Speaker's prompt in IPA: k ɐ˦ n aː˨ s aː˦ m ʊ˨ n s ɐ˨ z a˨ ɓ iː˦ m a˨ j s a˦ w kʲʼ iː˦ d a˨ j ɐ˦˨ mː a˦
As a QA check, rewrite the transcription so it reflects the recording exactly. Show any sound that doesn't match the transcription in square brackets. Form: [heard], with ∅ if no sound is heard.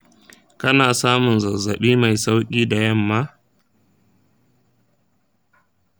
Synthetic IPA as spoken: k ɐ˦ n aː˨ s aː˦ m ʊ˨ n [z] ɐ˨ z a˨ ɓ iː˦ m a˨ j s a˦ w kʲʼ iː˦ d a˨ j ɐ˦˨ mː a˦